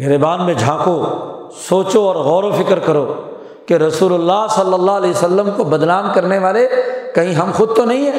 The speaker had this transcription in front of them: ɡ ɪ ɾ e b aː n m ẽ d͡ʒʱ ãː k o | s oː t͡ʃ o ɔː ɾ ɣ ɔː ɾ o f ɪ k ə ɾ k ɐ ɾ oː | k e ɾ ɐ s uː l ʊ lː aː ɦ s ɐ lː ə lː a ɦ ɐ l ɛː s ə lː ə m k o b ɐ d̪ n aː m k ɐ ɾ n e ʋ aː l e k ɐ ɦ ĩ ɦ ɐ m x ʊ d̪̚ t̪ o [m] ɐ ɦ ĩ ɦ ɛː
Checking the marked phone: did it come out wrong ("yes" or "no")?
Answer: yes